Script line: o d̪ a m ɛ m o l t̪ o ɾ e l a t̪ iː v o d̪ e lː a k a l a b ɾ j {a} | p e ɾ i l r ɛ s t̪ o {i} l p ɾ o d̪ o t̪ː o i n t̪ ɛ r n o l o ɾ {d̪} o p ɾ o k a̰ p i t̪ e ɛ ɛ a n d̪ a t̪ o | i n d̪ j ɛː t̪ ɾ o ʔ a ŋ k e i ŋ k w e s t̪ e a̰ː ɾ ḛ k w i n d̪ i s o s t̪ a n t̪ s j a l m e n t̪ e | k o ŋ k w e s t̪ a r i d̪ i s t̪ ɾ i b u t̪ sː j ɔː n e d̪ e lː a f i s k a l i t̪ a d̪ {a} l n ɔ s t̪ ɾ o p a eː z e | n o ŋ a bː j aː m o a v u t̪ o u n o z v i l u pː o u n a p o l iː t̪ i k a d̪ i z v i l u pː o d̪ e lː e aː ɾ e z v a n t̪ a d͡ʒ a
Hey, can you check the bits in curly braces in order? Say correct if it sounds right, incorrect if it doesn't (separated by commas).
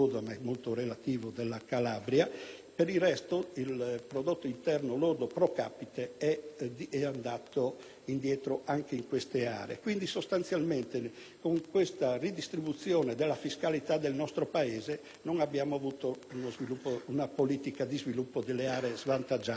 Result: correct, correct, correct, incorrect